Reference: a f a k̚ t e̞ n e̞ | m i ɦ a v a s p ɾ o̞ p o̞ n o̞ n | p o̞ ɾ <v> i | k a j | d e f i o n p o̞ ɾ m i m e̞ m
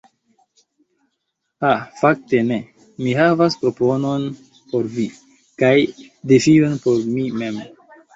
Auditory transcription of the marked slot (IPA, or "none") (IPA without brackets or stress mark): v